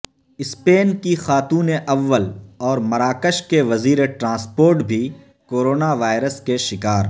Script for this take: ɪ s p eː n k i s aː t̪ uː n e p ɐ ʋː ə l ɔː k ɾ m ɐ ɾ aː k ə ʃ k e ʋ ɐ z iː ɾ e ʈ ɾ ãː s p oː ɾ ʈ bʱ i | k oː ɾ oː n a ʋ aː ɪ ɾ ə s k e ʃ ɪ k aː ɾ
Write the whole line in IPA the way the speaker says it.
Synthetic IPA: ɪ s p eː n k i x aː t̪ uː n e ʔ ɐ ʋː ə l ɔː ɾ m ɐ ɾ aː k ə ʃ k e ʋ ɐ z iː ɾ e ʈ ɾ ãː s p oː ɾ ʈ bʱ i | k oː ɾ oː n a ʋ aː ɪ ɾ ə s k e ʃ ɪ k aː ɾ